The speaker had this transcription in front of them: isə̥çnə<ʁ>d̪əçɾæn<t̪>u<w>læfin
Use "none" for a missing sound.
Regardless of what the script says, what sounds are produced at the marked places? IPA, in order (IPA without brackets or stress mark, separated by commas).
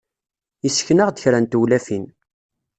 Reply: ʁ, t̪, w